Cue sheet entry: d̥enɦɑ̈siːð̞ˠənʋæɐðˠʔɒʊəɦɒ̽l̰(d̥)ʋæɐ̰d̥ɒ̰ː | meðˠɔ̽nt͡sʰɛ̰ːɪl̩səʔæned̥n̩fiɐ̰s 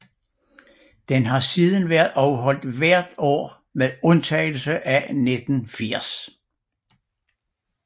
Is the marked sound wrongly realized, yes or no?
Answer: no